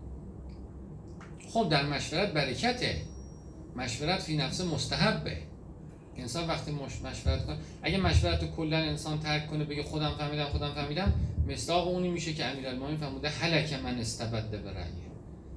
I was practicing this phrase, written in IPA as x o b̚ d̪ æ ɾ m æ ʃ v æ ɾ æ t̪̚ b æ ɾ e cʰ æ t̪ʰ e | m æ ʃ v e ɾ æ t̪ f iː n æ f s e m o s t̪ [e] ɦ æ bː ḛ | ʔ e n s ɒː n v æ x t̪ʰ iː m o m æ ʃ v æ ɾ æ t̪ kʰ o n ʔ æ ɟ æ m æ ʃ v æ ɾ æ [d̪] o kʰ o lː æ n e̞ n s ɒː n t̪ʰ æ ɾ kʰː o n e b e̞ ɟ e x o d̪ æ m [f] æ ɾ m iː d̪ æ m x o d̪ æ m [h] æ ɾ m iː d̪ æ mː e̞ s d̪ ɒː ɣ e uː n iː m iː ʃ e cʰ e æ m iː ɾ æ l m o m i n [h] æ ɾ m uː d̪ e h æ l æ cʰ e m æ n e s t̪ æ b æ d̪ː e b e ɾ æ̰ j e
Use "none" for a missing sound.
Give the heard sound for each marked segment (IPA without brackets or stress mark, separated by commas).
æ, t̪, f, f, f